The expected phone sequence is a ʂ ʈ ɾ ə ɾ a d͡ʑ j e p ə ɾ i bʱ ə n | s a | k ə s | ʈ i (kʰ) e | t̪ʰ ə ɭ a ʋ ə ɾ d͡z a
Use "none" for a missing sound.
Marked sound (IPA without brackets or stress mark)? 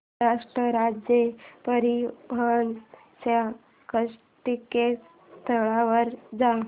k